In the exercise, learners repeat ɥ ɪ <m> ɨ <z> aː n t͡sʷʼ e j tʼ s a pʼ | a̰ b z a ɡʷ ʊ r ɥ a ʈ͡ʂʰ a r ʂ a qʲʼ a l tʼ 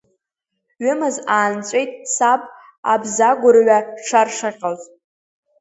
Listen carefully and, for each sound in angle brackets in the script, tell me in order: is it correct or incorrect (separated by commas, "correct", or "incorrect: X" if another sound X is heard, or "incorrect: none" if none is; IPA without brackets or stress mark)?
correct, correct